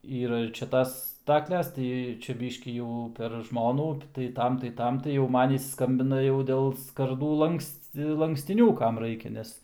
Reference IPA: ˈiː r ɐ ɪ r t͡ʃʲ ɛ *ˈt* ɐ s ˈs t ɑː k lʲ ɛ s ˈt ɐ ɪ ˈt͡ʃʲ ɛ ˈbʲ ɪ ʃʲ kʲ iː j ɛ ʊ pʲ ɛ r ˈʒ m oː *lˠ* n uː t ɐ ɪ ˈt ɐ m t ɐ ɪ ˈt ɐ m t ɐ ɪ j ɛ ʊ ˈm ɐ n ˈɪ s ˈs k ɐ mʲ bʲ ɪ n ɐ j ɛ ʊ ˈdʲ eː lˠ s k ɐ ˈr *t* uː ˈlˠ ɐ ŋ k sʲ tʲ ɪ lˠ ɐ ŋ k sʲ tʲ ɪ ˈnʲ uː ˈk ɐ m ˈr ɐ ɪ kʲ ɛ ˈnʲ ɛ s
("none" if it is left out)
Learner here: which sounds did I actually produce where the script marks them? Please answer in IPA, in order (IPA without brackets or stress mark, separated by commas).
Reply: t, none, d